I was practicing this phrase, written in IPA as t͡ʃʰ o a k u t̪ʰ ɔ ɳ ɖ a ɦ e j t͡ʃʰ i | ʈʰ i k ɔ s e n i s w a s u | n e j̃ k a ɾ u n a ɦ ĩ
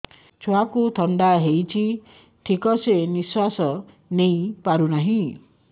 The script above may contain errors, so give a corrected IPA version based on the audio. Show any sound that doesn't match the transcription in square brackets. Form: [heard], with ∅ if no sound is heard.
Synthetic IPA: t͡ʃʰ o a k u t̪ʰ ɔ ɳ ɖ a ɦ e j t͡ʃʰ i | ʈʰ i k ɔ s e n i s w a s [ɔ] | n e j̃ [p] a ɾ u n a ɦ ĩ